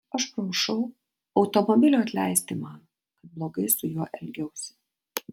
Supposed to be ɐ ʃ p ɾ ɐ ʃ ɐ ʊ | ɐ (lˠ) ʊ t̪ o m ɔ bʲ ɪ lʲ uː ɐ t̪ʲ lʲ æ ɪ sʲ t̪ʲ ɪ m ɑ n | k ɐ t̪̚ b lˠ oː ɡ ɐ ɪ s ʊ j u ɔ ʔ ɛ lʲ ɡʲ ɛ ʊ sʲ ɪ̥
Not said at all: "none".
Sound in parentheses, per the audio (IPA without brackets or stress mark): none